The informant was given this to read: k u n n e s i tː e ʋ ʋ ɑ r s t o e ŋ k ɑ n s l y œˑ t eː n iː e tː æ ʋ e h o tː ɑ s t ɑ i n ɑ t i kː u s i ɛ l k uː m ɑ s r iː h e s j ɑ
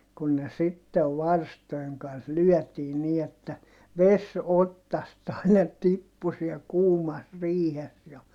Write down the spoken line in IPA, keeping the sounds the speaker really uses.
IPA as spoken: k u n n e s i tː e ʋ ʋ ɑ r s t o e ŋ k ɑ n s l y œˑ t iː n iː e tː æ ʋ e s o tː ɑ s t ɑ i n ɑ t i pː u s i ɛ l k uː m ɑ s r iː h e s j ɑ

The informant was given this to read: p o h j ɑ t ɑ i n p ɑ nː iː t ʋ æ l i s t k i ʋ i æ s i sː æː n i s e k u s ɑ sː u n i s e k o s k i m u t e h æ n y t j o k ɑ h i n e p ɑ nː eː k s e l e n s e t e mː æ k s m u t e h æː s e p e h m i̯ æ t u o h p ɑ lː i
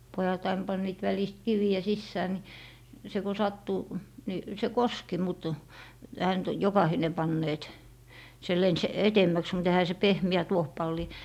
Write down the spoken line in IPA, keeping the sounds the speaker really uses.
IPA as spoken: p o j ɑ t ɑ i n p ɑ nː iː t ʋ æ l i s t k i ʋ i æ s i sː æː n i s e k u s ɑ tː u n i s e k o s k i m u t e h æ n y t j o k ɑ h i n e p ɑ nː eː t s e l e n s e t e mː æ k s m u t e h æ s e p e h m i̯ æ t u o h p ɑ lː i

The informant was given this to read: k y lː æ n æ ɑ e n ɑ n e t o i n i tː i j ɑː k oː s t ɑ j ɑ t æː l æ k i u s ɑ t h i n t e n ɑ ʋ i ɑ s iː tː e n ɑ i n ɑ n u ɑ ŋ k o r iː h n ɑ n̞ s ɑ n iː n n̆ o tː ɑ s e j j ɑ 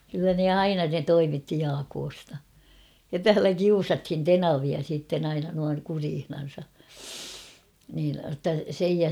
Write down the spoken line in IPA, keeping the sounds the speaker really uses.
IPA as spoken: k y lː æ n e ɑ i n ɑ n e t o i m i tː i j ɑː k oː s t ɑ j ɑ t æː l æ k i u s ɑ t h i n t e n ɑ ʋ i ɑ s iː tː e n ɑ i n ɑ n u ɑ ŋ k u r iː h n ɑ n̞ s ɑ n iː n n̆ o tː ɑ s e j j ɑ

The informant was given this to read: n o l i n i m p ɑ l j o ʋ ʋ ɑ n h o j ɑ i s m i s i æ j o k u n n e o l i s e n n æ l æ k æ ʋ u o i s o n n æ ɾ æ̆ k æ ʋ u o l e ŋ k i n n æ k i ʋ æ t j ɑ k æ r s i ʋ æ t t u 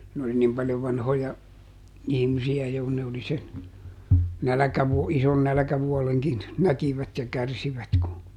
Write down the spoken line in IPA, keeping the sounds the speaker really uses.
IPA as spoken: n o l i n i m p ɑ l j o ʋ ʋ ɑ n h o j ɑ i h m i s i æ j o k u n n e o l i s e n n æ l æ k æ ʋ u o i s o n n æ l æ̆ k æ ʋ u o l e ŋ k i n n æ k i ʋ æ t j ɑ k æ r s i ʋ æ t k u

